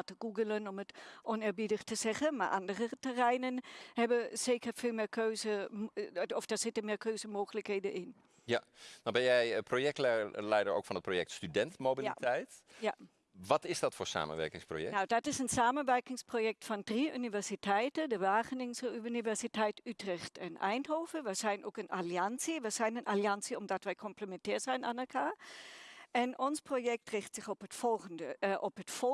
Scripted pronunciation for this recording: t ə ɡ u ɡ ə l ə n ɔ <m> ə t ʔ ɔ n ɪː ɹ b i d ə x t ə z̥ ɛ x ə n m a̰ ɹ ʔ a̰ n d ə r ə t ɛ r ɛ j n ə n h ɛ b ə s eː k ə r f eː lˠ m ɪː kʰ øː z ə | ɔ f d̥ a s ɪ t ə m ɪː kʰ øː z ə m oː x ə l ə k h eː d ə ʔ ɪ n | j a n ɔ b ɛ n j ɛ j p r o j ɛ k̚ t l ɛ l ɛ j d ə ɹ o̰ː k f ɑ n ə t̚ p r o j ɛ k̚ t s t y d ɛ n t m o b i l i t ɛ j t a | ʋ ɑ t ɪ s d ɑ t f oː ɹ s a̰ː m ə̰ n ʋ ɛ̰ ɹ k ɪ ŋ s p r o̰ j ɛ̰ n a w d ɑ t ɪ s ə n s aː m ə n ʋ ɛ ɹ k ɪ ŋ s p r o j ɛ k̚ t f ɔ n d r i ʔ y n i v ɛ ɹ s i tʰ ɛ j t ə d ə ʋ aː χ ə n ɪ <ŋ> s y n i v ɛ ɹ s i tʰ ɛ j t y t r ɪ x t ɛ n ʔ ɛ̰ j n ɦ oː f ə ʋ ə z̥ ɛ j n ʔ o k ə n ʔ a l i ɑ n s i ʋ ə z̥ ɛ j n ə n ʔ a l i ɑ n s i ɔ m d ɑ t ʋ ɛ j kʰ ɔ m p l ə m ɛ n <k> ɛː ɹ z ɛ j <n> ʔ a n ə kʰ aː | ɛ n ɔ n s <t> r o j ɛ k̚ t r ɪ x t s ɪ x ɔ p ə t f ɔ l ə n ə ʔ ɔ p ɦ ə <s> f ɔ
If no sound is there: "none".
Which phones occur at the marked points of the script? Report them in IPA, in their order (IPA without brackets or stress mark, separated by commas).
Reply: m, ŋ, t, n, p, t